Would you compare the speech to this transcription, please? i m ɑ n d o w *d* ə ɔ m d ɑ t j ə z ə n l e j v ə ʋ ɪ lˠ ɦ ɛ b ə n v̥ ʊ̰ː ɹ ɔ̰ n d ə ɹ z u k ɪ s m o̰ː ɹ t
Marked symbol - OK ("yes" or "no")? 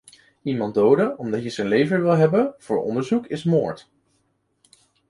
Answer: yes